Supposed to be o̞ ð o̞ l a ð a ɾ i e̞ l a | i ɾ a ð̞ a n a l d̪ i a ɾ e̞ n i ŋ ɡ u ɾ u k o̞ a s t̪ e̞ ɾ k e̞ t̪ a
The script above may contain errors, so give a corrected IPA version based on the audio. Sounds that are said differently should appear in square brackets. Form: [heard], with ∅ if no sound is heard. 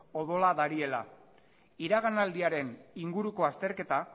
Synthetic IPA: o̞ ð o̞ l a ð a ɾ i e̞ l a | i ɾ a [ɣ̞] a n a l d̪ i a ɾ e̞ n i ŋ ɡ u ɾ u k o̞ a s t̪ e̞ ɾ k e̞ t̪ a